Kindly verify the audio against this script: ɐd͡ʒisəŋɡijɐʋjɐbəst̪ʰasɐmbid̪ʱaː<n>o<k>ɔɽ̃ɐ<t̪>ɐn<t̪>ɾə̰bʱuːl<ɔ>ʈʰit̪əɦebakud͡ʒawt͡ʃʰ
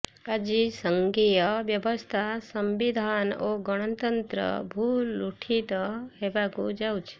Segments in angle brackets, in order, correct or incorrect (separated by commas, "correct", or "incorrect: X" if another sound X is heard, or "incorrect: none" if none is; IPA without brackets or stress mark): correct, incorrect: ɡ, correct, correct, incorrect: u